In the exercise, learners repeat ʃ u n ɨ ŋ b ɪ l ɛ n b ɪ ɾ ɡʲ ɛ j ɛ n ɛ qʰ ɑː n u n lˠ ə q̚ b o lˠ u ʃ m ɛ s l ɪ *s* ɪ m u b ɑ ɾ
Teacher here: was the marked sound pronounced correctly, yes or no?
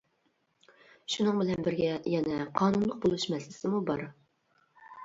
yes